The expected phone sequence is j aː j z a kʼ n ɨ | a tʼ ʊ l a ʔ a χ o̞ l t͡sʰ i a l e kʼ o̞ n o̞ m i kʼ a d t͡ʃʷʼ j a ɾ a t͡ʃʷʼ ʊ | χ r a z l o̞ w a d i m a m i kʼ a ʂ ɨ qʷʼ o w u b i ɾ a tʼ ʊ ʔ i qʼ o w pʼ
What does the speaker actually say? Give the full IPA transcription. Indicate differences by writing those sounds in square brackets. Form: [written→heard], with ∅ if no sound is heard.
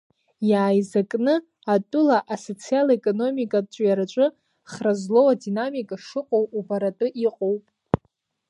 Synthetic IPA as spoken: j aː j z a kʼ n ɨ | a tʼ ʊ l a ʔ a [χ→s] o̞ [l→∅] t͡sʰ i a l e kʼ o̞ n o̞ m i kʼ a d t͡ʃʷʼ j a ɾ a t͡ʃʷʼ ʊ | χ r a z l o̞ w a d i [m→n] a m i kʼ a ʂ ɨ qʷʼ o w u b [i→a] ɾ a tʼ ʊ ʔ i qʼ o w pʼ